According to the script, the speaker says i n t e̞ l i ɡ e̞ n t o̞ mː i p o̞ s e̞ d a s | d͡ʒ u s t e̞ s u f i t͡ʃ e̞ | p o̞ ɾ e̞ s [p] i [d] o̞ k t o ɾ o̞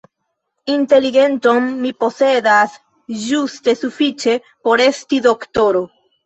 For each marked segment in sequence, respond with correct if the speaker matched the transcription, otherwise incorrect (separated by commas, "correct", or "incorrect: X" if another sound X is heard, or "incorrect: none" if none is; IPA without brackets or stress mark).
incorrect: t, correct